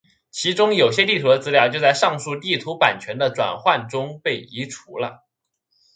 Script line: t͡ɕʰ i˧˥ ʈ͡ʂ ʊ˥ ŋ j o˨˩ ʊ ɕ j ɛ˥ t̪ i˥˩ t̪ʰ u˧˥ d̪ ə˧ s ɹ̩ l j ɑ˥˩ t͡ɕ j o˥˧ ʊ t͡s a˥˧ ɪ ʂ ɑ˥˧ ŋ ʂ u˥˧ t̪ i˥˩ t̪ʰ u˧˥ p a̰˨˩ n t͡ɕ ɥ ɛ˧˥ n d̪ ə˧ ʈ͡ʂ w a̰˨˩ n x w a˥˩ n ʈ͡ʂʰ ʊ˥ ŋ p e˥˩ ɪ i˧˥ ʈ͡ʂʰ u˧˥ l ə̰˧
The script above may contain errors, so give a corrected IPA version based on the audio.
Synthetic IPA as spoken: t͡ɕʰ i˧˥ ʈ͡ʂ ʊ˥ ŋ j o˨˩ ʊ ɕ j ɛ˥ t̪ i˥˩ t̪ʰ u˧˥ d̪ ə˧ t͡s ɹ̩ l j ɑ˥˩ t͡ɕ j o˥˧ ʊ t͡s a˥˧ ɪ ʂ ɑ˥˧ ŋ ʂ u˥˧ t̪ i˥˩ t̪ʰ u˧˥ p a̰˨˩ n t͡ɕʰ ɥ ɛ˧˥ n d̪ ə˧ ʈ͡ʂ w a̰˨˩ n x w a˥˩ n ʈ͡ʂ ʊ˥ ŋ p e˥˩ ɪ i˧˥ ʈ͡ʂʰ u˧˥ l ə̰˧

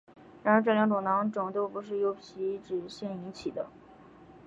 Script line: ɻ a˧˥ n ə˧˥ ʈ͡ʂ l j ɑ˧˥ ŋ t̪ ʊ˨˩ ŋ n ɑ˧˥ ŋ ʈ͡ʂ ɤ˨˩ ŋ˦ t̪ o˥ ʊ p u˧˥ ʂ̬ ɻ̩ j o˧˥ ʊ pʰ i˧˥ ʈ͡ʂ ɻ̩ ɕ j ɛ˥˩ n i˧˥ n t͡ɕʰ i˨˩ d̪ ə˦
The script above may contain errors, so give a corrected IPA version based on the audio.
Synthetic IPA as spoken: ɻ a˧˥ n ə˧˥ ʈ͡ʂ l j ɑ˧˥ ŋ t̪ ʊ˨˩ ŋ n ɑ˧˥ ŋ ʈ͡ʂ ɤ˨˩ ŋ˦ t̪ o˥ ʊ p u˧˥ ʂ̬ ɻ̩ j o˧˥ ʊ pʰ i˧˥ ʈ͡ʂ ɻ̩ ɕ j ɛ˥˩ n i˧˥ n t͡ɕʰ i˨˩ d̪ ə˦

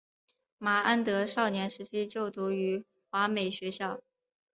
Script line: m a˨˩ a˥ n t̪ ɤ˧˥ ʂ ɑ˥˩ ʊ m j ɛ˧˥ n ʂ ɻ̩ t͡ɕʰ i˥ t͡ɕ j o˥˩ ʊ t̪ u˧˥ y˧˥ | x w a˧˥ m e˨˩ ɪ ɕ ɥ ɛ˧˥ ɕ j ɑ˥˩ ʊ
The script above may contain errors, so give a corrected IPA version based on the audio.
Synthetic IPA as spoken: m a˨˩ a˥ n t̪ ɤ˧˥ ʂ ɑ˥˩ ʊ n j ɛ˧˥ n ʂ ɻ̩ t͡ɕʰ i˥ t͡ɕ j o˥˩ ʊ t̪ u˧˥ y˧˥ | x w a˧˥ m e˨˩ ɪ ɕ ɥ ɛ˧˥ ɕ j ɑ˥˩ ʊ

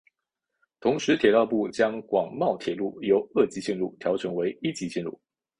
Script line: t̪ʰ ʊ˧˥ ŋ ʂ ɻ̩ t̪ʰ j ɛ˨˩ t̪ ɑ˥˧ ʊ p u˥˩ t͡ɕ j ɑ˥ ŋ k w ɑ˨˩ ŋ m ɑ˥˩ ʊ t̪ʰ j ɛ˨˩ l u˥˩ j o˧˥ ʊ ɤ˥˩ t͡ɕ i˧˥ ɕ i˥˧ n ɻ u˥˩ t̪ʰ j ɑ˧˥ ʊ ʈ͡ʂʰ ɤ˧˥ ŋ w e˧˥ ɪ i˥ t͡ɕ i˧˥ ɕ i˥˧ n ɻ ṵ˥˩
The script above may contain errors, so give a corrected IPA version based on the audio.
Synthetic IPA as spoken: t̪ʰ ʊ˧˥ ŋ ʂ ɻ̩ t̪ʰ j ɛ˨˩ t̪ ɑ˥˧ ʊ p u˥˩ t͡ɕ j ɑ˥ ŋ k w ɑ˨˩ ŋ m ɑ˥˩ ʊ t̪ʰ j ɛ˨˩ l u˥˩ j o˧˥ ʊ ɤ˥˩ t͡ɕ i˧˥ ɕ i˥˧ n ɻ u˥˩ t̪ʰ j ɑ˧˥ ʊ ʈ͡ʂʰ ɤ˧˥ ŋ w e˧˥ ɪ i˥ t͡ɕ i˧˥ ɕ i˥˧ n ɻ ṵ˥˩

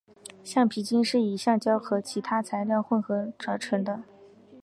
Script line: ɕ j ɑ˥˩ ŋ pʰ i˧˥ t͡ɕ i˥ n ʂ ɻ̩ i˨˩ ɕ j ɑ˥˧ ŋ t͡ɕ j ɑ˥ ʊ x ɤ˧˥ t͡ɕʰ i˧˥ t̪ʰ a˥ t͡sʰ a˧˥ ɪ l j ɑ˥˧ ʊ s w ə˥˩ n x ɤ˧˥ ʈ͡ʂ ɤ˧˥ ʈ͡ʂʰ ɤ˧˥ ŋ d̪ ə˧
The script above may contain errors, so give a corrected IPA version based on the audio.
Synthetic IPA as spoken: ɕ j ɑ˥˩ ŋ pʰ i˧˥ t͡ɕ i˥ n ʂ ɻ̩ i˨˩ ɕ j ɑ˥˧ ŋ t͡ɕ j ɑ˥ ʊ x ɤ˧˥ t͡ɕʰ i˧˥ t̪ʰ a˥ t͡sʰ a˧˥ ɪ l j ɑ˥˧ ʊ x w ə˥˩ n x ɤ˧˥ ʈ͡ʂ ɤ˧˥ ʈ͡ʂʰ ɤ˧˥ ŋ d̪ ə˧

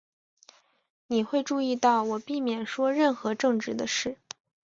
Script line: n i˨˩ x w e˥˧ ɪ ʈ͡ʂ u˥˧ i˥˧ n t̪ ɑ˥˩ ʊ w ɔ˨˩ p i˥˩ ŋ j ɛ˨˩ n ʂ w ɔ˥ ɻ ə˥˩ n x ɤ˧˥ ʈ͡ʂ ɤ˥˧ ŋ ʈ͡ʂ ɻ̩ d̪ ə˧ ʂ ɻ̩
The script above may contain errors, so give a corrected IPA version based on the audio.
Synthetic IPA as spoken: n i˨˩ x w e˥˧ ɪ ʈ͡ʂ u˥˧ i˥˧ t̪ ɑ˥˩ ʊ w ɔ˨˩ p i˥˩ m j ɛ˨˩ n ʂ w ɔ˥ ɻ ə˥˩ n x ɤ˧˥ ʈ͡ʂ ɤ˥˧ ŋ ʈ͡ʂ ɻ̩ d̪ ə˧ ʂ ɻ̩

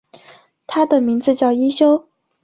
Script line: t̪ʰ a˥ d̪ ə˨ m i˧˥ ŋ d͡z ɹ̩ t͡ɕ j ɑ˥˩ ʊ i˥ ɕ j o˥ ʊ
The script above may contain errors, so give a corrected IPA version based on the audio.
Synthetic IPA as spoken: t̪ʰ a˥ d̪ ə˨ m i˧˥ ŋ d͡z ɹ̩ t͡ɕ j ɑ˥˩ ʊ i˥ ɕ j o˥ ʊ

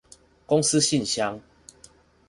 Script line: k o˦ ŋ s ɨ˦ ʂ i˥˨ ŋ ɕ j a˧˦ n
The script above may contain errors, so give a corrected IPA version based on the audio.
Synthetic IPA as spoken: k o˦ ŋ s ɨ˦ ɕ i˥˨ n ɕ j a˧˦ ŋ

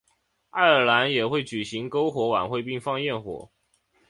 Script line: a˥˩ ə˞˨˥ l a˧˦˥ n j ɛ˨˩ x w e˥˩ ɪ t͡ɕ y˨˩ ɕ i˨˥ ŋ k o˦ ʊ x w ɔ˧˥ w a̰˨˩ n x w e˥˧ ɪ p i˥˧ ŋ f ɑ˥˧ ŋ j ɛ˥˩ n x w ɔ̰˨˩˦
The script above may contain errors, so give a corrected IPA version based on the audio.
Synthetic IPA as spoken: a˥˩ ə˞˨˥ l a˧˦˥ n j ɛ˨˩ x w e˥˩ ɪ t͡ɕ y˨˩ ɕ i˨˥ ŋ k o˦ ʊ x w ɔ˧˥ w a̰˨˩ n x w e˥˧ ɪ p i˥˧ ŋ f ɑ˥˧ ŋ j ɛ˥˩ n x w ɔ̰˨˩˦

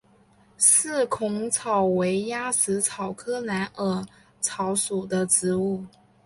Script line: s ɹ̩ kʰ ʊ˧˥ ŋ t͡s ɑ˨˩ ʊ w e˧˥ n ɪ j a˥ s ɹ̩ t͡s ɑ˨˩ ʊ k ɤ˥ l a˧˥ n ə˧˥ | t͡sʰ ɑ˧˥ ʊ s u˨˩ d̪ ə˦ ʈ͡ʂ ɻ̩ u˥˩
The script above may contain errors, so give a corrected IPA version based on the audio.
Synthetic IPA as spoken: s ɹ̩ kʰ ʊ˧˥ ŋ t͡sʰ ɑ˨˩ ʊ w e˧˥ ɪ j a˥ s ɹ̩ t͡sʰ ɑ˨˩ ʊ kʰ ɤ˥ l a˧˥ n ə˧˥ | t͡sʰ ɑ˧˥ ʊ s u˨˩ d̪ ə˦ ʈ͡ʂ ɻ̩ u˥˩

